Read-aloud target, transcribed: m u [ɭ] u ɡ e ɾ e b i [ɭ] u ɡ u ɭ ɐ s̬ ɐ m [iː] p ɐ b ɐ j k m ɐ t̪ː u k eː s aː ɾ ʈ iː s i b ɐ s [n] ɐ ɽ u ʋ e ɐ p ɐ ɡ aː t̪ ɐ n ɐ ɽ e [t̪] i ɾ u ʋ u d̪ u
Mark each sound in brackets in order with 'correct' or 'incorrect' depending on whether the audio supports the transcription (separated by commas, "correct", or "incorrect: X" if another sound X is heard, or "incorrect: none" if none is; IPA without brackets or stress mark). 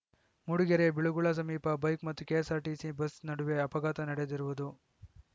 incorrect: ɽ, correct, correct, correct, incorrect: d̪